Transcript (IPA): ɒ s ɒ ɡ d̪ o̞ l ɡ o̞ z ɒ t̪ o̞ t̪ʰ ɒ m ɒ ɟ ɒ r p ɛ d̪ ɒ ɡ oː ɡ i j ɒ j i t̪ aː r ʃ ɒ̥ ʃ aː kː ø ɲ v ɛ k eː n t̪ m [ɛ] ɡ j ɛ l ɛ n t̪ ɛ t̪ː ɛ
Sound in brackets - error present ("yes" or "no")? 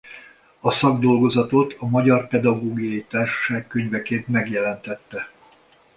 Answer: no